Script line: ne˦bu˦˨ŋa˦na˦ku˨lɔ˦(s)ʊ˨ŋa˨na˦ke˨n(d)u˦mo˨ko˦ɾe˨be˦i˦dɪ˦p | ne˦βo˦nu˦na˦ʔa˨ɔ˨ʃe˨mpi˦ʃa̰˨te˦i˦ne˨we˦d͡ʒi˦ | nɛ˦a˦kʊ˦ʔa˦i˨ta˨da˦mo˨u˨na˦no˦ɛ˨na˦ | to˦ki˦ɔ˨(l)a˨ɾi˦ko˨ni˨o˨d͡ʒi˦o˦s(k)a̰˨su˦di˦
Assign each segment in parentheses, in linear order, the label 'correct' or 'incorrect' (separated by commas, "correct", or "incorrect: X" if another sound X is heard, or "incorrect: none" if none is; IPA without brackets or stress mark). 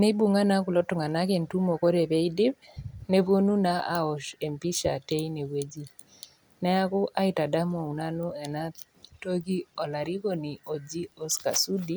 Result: incorrect: t, incorrect: t, correct, correct